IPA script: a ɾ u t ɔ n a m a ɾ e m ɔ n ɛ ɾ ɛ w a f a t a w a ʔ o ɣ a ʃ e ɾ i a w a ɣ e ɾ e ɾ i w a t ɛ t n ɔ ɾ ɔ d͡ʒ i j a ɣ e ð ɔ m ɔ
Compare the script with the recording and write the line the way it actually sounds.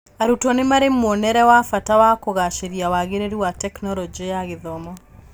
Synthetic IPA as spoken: a ɾ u t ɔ n e m a ɾ e m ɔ n ɛ ɾ ɛ w a f a t a w a k o ɣ a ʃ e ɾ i a w a ɣ e ɾ e ɾ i w a t ɛ k n ɔ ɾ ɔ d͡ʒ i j a ɣ e ð ɔ m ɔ